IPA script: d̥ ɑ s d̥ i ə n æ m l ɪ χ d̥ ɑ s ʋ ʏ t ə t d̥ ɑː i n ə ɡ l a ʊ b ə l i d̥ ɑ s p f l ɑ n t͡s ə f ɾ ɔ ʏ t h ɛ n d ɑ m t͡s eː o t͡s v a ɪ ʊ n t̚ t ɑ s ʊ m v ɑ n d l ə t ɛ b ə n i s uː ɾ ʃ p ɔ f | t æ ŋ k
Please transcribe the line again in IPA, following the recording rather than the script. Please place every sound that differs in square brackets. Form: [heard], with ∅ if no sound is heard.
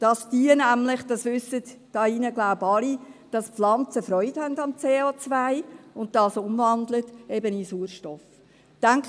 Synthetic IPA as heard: d̥ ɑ s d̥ i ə n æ m l ɪ χ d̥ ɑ s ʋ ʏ [s] ə t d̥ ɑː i n ə ɡ l a ʊ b [ɑ] l i d̥ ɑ s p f l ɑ n t͡s ə f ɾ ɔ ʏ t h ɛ n d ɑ m t͡s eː o t͡s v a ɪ ʊ n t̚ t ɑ s ʊ m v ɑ n d l ə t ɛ b ə n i s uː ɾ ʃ [t] ɔ f | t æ ŋ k